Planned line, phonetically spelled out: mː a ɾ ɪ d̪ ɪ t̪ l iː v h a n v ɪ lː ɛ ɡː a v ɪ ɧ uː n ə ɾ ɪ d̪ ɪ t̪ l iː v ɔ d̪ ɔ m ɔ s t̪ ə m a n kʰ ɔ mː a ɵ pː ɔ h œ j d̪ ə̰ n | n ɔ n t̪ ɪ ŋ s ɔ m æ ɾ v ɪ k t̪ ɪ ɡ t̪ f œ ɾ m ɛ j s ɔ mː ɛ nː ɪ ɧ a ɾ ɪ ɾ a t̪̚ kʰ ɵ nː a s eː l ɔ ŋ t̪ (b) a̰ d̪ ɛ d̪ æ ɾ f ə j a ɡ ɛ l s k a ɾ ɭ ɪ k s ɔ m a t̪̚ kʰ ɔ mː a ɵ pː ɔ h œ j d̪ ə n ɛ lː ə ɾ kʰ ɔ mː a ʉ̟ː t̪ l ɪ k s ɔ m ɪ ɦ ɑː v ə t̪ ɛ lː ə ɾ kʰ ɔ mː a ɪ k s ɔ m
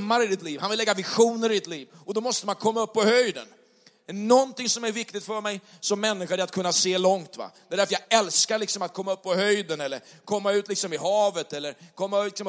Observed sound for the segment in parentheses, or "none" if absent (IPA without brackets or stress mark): v